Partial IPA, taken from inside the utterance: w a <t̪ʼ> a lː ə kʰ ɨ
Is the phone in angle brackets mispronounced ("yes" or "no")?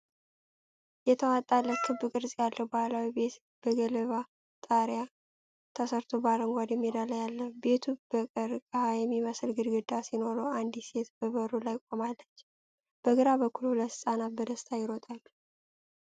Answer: no